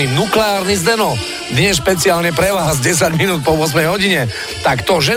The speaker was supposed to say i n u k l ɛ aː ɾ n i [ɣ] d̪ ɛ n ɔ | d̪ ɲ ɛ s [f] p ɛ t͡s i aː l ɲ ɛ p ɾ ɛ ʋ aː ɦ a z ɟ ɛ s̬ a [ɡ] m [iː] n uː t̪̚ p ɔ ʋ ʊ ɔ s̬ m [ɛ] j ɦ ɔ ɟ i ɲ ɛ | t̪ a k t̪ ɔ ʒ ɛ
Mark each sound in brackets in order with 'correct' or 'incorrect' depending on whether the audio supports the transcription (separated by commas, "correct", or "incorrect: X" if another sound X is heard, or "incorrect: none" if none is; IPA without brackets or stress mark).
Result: incorrect: z, incorrect: ʃ, incorrect: ɟ, incorrect: i, correct